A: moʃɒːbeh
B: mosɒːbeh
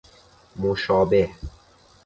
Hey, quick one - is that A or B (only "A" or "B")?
A